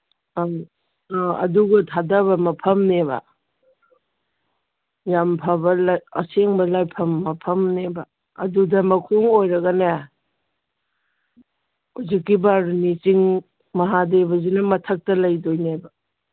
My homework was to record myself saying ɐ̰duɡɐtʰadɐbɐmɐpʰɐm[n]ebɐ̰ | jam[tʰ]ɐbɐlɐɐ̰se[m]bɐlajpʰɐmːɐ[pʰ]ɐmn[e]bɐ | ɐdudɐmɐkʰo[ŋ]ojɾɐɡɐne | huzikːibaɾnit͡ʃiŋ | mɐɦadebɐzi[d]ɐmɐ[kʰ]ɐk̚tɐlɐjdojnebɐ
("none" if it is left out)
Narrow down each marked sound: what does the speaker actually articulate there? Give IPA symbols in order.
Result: n, pʰ, ŋ, pʰ, e, ŋ, n, tʰ

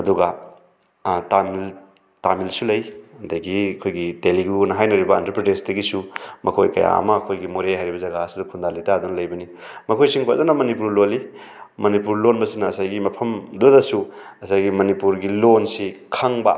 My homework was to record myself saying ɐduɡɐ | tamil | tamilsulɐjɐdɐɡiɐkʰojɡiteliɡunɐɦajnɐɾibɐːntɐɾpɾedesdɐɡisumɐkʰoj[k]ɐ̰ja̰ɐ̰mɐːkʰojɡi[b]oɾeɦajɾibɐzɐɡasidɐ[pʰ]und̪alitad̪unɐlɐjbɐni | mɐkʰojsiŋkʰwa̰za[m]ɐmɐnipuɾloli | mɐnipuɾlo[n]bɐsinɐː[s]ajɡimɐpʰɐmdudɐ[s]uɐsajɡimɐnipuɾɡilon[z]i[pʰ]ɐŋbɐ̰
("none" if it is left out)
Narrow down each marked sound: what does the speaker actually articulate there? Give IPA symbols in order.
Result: k, m, kʰ, n, n, s, s, s, kʰ

